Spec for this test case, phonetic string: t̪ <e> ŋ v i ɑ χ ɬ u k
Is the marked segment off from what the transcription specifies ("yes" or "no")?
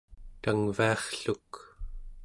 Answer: yes